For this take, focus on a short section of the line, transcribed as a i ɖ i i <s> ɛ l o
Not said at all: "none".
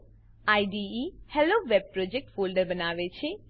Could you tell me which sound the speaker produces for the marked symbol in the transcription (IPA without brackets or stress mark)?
h